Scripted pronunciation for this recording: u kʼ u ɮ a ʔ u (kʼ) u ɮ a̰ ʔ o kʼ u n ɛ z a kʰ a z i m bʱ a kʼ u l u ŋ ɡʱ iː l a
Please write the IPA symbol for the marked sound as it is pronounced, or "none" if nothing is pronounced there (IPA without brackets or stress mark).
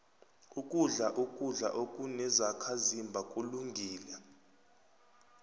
kʼ